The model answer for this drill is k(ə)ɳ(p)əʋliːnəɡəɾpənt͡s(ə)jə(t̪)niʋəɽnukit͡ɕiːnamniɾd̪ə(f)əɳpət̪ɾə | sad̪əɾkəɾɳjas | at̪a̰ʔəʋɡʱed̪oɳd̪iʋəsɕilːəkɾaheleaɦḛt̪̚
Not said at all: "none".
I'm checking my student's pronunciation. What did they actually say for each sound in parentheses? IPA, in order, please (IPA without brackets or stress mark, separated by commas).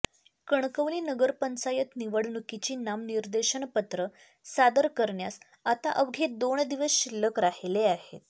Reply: ə, k, a, t̪, ɕ